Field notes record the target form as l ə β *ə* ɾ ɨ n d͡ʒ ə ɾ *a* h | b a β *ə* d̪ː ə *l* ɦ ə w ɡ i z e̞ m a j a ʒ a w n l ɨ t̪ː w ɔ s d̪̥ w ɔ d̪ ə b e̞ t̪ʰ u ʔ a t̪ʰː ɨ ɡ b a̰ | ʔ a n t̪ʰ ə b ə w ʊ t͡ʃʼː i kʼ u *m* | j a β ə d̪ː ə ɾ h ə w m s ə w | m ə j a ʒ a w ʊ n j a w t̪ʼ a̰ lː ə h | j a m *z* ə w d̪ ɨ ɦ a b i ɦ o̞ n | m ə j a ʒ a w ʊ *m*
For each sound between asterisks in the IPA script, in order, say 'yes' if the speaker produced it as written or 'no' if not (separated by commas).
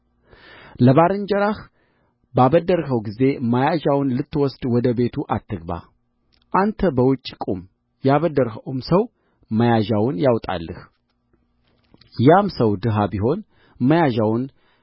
no, yes, yes, no, yes, no, no